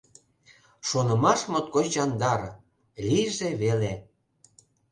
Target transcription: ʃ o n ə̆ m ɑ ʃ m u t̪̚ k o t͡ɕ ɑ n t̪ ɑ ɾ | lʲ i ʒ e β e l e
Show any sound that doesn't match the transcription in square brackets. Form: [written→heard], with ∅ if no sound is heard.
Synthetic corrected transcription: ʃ o n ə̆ m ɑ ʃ m [u→o] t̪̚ k o t͡ɕ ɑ n [t̪→d̪] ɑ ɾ | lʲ i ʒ e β e l e

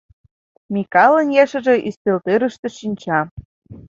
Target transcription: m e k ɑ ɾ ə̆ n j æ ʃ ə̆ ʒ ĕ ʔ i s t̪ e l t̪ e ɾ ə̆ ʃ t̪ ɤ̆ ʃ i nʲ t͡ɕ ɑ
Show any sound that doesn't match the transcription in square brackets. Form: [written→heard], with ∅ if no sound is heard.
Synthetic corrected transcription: m [e→i] k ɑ [ɾ→l] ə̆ n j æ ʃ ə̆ ʒ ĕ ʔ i s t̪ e l t̪ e ɾ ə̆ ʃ t̪ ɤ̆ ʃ i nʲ t͡ɕ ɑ

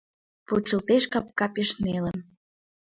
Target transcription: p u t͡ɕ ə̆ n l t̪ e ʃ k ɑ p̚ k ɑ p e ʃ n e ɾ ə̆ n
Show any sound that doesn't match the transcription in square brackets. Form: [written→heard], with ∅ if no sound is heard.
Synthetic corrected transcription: p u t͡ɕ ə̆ [n→∅] l t̪ e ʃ k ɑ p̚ k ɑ p e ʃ n e [ɾ→l] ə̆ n

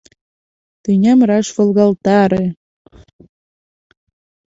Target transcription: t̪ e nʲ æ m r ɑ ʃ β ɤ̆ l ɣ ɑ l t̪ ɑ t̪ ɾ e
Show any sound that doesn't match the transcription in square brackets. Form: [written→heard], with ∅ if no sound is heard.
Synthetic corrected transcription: t̪ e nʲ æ m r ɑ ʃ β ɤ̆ l ɣ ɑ l t̪ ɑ [t̪→∅] ɾ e

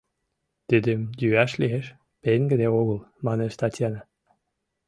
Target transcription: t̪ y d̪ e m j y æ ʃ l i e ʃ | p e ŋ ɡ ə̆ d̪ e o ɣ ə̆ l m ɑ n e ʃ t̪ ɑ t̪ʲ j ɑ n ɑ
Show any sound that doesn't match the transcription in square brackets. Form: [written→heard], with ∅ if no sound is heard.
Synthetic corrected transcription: t̪ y d̪ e m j y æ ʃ l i e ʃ | p e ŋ ɡ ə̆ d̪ e o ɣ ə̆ l m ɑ n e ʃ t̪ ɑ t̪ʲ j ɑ n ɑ

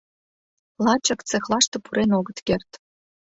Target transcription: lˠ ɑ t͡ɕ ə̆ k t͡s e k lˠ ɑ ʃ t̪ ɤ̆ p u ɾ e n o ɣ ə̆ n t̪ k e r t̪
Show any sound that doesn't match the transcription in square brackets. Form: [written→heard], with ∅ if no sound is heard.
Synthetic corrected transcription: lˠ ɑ t͡ɕ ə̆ k t͡s e [k→x] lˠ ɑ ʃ t̪ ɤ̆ p u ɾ e n o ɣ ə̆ [n→∅] t̪ k e r t̪

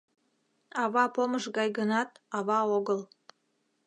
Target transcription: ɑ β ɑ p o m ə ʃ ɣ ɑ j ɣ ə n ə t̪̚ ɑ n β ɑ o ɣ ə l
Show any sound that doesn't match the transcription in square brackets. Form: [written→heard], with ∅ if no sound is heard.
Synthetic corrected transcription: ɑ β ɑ p o m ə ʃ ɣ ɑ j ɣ ə n [ə→ɑ] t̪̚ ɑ [n→∅] β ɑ o ɣ ə l

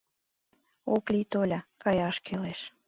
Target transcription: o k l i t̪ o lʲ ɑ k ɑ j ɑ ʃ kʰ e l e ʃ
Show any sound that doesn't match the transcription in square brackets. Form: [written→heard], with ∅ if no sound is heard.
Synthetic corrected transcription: o k l i t̪ o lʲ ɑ k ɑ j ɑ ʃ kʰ e l e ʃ

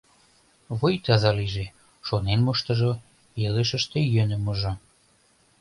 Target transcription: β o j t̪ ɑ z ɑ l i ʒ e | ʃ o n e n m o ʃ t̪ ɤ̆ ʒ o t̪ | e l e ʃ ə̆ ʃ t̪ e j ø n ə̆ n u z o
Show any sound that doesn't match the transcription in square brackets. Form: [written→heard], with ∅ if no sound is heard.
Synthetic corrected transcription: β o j t̪ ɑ z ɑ l i ʒ e | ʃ o n e n m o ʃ t̪ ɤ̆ ʒ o [t̪→∅] | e l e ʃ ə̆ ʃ t̪ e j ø n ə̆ [n→m] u [z→ʒ] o

